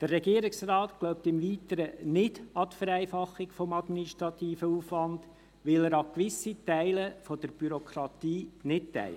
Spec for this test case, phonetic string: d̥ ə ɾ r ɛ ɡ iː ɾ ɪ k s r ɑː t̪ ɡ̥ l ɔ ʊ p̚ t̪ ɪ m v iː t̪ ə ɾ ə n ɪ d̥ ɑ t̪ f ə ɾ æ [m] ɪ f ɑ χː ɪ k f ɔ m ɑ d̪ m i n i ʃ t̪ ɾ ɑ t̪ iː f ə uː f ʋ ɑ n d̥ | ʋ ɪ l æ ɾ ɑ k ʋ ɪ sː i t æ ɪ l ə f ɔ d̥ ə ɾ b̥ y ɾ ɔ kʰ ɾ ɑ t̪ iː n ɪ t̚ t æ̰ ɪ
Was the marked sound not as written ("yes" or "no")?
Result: yes